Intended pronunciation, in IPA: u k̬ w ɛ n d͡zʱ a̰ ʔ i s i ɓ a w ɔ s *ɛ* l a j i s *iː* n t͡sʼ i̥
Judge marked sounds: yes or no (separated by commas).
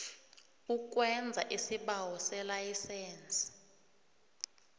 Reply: yes, no